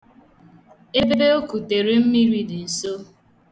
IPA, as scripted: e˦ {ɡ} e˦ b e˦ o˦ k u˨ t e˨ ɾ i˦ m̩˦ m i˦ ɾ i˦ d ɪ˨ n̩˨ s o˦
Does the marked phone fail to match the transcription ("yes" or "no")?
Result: yes